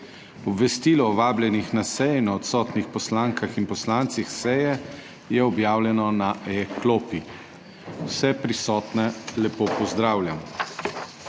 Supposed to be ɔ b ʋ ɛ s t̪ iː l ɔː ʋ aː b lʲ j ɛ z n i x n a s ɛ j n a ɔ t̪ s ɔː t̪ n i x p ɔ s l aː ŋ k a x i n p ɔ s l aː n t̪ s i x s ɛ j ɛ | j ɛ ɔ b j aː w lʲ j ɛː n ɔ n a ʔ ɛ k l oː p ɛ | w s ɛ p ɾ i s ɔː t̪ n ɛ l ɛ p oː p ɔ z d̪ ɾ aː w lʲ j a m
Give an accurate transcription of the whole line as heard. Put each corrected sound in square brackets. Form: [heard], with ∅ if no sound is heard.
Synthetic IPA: ɔ b ʋ ɛ s t̪ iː l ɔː ʋ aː b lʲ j ɛ [∅] n i x n a s ɛ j n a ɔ t̪ s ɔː t̪ n i x p ɔ s l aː ŋ k a x i n p ɔ s l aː n t̪ s i x s ɛ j ɛ | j ɛ ɔ b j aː w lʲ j [ɛ] n ɔ n a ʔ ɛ k l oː p [i] | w s ɛ p ɾ i s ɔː t̪ n ɛ l ɛ p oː p ɔ z d̪ ɾ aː w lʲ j a m